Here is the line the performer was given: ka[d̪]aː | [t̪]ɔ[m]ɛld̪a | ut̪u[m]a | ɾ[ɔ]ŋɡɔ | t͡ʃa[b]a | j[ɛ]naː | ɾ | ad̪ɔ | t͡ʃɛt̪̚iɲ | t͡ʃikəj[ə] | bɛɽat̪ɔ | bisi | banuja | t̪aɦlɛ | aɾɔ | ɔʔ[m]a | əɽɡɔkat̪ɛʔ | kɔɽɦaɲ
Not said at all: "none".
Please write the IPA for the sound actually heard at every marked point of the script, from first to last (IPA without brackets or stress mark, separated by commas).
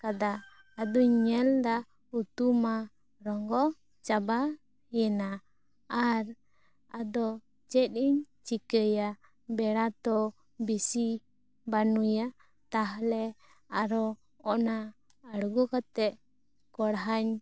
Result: d̪, d̪, ɲ, m, ɔ, b, ɛ, a, n